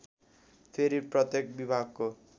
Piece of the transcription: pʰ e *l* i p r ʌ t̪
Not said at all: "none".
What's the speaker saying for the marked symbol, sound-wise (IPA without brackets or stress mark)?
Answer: ɾ